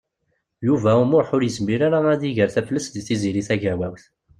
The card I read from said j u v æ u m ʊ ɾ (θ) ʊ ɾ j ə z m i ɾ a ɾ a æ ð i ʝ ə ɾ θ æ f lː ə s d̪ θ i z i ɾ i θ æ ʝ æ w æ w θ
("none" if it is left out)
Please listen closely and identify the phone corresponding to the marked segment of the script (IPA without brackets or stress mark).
ħ